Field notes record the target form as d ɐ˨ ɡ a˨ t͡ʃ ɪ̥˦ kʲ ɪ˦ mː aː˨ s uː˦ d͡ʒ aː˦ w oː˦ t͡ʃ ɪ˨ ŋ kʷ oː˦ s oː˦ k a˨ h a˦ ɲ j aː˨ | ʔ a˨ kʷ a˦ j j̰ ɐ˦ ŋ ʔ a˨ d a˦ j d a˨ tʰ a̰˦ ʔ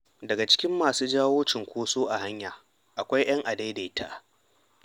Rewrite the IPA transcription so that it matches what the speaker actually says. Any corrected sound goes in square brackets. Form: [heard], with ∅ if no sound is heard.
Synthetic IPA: d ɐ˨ ɡ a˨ t͡ʃ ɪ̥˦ kʲ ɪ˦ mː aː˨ s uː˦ d͡ʒ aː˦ w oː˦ t͡ʃ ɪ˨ ŋ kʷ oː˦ s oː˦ [ʔ] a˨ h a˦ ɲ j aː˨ | ʔ a˨ kʷ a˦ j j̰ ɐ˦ ŋ ʔ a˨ d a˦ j d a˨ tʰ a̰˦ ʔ